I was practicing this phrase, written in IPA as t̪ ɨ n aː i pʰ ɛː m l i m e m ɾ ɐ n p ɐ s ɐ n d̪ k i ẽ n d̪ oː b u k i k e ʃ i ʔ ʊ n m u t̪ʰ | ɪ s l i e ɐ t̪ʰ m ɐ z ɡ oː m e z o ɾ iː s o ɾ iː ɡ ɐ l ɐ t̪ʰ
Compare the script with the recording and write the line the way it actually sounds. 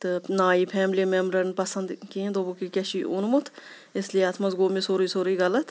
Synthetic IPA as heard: t̪ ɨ n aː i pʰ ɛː m l i m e m ɾ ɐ n p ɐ s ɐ n d̪ k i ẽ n d̪ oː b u k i k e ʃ i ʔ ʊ n m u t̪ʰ | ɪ s l i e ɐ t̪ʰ m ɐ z ɡ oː m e s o ɾ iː s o ɾ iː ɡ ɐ l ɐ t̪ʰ